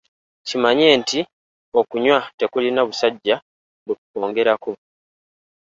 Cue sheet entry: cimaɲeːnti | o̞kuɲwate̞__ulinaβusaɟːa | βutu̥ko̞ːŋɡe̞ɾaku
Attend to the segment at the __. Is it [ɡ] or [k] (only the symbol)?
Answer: k